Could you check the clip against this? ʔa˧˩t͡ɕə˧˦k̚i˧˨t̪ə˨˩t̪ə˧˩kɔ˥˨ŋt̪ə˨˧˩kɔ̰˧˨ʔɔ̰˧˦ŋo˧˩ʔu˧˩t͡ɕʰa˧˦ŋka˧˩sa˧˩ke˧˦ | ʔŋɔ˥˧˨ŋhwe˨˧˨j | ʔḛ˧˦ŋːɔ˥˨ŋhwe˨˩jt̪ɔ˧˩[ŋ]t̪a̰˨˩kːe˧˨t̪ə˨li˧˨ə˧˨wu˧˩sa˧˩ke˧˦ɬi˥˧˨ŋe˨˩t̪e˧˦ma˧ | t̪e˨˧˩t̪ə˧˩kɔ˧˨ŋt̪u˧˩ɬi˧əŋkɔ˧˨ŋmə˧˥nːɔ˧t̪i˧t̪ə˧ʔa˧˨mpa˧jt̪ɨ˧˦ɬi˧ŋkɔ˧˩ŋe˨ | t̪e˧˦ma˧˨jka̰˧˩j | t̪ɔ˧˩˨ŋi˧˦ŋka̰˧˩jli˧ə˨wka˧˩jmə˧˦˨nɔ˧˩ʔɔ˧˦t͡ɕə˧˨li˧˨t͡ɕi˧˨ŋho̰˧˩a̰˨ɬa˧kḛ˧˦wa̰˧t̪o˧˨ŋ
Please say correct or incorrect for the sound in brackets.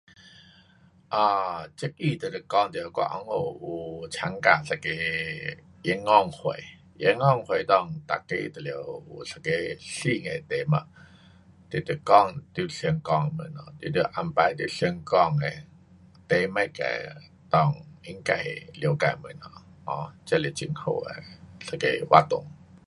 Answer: correct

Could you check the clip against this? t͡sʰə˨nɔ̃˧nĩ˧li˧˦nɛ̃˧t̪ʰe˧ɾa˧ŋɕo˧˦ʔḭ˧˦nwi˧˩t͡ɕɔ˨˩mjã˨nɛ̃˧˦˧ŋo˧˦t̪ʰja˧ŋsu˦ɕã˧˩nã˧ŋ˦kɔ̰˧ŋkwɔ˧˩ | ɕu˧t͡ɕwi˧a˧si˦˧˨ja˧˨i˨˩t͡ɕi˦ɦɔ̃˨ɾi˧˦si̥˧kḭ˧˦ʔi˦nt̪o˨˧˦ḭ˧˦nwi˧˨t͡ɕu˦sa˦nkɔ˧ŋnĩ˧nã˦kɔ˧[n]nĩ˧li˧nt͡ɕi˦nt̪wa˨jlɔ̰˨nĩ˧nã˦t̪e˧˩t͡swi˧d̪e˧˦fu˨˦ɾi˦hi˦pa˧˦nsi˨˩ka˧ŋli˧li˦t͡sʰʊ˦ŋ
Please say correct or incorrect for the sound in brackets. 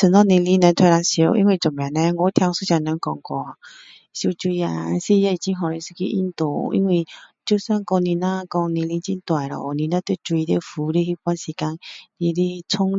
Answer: incorrect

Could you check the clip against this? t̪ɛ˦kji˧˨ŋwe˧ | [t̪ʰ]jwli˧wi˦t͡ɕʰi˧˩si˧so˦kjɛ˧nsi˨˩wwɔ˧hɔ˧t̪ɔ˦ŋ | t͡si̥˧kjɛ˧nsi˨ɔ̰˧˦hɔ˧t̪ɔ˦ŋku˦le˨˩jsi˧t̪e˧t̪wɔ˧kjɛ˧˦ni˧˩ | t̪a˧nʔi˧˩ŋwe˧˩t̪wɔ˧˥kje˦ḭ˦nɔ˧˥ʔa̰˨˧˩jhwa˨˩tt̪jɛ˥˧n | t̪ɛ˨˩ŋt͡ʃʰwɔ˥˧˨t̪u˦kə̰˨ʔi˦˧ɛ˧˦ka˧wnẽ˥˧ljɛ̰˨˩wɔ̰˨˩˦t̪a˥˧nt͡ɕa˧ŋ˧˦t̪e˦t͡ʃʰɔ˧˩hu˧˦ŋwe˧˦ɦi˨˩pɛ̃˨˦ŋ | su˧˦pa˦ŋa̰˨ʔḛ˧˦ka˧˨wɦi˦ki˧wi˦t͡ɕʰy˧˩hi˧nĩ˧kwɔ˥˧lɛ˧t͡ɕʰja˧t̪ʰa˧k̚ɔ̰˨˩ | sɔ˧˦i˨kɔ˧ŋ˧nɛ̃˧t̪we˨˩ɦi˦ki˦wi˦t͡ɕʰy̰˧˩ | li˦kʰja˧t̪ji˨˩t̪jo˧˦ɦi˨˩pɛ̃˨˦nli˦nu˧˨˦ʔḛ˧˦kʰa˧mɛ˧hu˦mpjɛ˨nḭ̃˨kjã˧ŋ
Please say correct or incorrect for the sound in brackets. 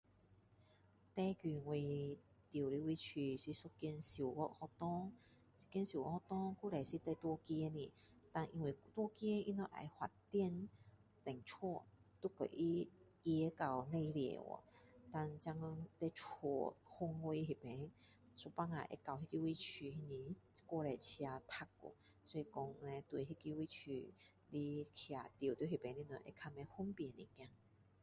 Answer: incorrect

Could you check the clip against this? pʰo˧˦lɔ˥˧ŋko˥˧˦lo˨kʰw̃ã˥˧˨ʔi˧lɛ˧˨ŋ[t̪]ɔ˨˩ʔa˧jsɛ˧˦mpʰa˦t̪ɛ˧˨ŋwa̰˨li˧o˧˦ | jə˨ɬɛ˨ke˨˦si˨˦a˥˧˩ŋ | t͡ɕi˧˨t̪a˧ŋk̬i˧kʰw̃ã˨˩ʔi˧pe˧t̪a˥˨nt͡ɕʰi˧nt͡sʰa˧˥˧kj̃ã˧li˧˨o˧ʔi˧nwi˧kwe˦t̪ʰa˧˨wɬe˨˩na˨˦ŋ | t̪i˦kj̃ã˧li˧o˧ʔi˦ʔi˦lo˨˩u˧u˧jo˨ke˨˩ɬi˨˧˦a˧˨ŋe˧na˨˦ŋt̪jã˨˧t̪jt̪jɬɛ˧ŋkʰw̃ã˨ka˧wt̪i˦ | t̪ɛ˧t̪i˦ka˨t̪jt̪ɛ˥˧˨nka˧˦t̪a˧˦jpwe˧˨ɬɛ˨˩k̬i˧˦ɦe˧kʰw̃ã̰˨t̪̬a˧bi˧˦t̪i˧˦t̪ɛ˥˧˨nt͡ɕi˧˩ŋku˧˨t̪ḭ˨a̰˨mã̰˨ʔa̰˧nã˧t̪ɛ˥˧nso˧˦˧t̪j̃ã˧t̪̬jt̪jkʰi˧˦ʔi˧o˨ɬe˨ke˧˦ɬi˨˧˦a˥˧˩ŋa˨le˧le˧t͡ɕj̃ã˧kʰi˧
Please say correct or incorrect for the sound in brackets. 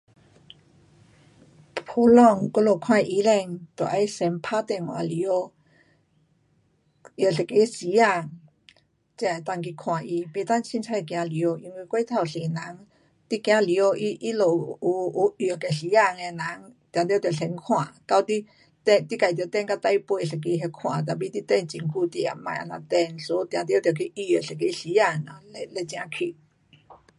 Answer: correct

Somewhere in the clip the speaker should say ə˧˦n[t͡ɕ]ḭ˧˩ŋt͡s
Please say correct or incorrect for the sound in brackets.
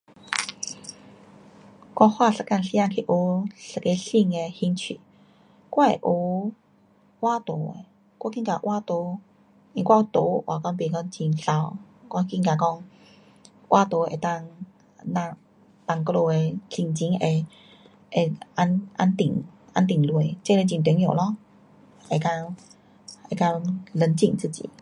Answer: correct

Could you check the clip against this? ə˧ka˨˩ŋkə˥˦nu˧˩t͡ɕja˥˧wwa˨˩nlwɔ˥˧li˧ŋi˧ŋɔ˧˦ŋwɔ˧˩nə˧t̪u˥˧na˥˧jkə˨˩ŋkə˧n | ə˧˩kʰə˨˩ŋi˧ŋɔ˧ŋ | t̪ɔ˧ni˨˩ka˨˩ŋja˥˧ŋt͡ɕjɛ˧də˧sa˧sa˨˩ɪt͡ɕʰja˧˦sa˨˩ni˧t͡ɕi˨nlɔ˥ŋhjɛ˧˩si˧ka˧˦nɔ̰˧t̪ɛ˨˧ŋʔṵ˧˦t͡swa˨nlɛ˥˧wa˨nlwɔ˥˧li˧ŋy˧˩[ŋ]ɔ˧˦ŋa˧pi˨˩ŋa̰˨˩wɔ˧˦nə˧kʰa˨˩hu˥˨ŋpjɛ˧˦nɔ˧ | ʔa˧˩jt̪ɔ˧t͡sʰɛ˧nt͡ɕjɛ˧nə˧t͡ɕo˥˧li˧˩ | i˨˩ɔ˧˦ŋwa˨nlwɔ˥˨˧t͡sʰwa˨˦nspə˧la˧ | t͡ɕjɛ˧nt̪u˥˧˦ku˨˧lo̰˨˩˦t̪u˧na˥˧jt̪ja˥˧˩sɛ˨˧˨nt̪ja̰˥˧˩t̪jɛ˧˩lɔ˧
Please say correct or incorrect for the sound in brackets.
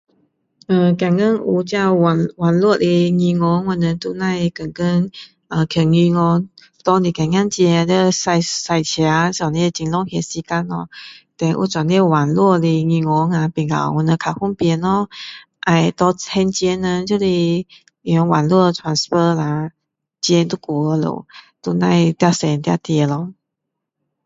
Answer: correct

